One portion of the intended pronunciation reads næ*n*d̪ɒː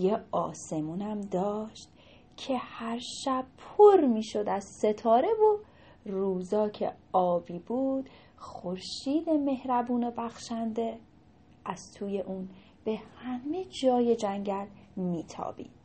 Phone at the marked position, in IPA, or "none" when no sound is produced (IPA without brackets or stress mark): m